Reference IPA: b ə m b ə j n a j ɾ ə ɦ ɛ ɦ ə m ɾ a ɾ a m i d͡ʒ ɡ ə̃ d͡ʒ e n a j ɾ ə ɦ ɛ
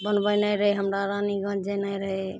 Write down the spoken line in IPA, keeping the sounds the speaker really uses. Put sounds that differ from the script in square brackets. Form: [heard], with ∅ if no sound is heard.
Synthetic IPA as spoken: b ə [n] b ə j n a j ɾ ə ɦ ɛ ɦ ə m ɾ a ɾ a [n] i [∅] ɡ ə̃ d͡ʒ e n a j ɾ ə ɦ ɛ